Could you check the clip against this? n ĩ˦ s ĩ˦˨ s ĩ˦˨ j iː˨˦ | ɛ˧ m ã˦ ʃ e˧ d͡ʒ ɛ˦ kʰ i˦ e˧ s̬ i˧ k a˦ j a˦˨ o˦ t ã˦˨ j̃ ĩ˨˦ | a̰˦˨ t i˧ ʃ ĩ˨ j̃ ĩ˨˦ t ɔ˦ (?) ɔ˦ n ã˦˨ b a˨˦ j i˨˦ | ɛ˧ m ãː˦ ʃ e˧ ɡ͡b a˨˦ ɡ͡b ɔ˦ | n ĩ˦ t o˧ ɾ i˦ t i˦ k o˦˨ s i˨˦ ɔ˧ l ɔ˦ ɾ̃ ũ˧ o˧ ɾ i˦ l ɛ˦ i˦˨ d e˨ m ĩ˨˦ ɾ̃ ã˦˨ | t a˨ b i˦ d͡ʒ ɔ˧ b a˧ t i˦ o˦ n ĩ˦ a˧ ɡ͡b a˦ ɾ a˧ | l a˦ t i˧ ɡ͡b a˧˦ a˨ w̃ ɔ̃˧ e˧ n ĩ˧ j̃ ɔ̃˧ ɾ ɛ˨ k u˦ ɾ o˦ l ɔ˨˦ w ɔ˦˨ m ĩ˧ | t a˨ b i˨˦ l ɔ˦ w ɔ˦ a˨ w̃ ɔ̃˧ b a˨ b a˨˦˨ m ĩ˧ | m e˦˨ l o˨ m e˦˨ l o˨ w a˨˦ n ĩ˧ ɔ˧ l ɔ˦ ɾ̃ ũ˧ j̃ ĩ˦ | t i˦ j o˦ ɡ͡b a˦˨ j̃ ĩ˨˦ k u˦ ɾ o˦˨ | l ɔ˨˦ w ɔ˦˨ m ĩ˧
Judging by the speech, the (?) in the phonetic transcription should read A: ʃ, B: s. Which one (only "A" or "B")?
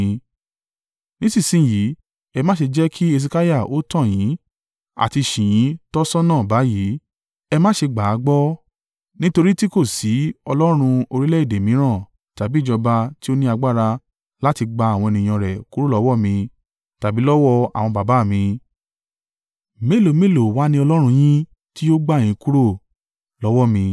B